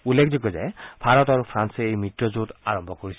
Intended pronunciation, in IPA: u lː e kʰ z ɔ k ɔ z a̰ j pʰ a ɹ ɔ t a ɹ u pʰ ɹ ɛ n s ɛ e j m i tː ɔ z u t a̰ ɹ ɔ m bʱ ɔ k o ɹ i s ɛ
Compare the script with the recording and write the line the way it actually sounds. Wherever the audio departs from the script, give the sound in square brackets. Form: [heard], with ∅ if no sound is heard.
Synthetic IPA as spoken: u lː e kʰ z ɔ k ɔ z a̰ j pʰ a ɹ ɔ t a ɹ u pʰ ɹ [a] n s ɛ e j m i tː ɔ z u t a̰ ɹ ɔ m bʱ ɔ k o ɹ i s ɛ

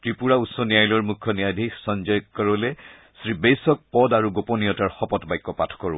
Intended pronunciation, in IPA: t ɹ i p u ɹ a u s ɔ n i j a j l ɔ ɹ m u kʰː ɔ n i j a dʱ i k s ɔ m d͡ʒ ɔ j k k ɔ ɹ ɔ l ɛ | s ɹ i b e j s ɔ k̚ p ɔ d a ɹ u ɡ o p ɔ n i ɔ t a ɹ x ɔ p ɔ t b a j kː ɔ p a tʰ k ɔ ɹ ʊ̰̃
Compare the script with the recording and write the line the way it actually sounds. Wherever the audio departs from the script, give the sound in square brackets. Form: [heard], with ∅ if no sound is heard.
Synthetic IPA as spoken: t ɹ i p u ɹ a u s ɔ n i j a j l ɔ ɹ m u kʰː ɔ n i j a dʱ i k s ɔ [n] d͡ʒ ɔ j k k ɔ ɹ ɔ l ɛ | s ɹ i b e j s ɔ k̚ p ɔ d a ɹ u ɡ o p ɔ n i ɔ t a ɹ x ɔ p ɔ t b a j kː ɔ p a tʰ k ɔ ɹ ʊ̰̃

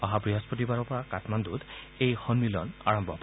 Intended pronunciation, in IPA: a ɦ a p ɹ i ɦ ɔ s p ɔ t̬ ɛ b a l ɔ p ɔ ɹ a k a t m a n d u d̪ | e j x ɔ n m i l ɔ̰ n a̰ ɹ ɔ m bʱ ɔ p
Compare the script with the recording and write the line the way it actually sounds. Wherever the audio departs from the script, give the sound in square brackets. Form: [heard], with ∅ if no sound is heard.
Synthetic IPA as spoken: a ɦ a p ɹ i ɦ ɔ s p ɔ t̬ [i] b a [ɹ] ɔ p ɔ ɹ a k a t m a n d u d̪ | e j x ɔ n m i l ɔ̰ n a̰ ɹ ɔ m bʱ ɔ p

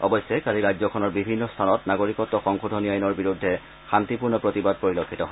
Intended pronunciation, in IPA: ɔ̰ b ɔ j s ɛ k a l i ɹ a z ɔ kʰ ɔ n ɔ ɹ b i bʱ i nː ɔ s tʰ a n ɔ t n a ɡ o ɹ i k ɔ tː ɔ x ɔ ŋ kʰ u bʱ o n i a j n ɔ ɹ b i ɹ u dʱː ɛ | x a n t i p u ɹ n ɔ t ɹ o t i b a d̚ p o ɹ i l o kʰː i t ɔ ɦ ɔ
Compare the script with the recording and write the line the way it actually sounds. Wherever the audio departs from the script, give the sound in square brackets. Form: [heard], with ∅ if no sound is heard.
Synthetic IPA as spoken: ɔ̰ b ɔ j s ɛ k a l i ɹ a z ɔ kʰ ɔ n ɔ ɹ b i bʱ i nː ɔ s tʰ a n ɔ t n a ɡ o ɹ i k ɔ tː ɔ x ɔ ŋ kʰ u [dʱ] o n i a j n ɔ ɹ b i ɹ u dʱː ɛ | x a n t i p u ɹ n ɔ [p] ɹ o t i b a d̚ p o ɹ i l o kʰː i t ɔ ɦ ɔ

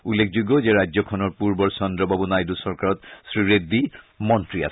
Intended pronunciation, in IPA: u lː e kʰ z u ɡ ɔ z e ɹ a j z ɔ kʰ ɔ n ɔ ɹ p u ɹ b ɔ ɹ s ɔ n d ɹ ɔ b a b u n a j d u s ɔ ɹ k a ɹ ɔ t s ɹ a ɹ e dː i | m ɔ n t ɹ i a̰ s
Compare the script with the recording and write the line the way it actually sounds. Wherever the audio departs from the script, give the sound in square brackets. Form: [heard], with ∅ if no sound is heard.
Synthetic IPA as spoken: u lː e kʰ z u ɡ ɔ z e ɹ a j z ɔ kʰ ɔ n ɔ ɹ p u ɹ b ɔ ɹ s ɔ n d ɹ ɔ b a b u n a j d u s ɔ ɹ k a ɹ ɔ t s ɹ [i] ɹ e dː i | m ɔ n t ɹ i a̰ s

